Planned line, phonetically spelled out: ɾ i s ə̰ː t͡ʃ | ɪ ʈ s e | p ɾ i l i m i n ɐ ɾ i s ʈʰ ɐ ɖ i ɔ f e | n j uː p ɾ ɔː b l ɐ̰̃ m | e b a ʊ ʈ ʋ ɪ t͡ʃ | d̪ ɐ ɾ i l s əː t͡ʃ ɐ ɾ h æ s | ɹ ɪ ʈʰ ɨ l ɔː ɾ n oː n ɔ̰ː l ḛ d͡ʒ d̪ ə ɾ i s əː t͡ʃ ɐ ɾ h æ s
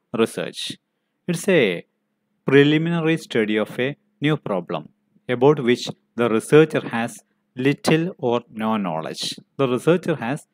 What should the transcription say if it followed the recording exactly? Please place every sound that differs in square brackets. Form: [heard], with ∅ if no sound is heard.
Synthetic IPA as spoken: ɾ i s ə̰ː t͡ʃ | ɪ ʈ s e | p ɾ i l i m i n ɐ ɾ i s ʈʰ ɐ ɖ i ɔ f e | n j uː p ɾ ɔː b l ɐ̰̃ m | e b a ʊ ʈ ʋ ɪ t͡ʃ | d̪ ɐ ɾ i [∅] s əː t͡ʃ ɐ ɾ h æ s | [l] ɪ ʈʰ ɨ l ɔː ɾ n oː n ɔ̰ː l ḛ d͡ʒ d̪ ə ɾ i s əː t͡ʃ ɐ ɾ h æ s